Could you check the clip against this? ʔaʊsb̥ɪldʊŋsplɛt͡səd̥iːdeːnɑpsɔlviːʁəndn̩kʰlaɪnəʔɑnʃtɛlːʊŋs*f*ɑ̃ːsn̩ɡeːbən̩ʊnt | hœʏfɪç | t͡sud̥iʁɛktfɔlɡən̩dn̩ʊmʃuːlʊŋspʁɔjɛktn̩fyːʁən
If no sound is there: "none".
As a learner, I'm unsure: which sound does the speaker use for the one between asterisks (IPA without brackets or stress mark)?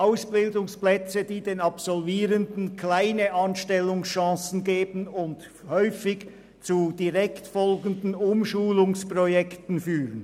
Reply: ʃ